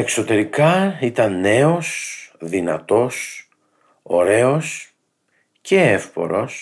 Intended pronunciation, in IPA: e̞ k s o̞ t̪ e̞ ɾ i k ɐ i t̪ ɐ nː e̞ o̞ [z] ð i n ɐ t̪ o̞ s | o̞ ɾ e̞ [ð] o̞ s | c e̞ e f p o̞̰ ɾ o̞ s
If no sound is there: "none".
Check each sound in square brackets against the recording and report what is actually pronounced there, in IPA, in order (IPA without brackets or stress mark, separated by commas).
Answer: s, none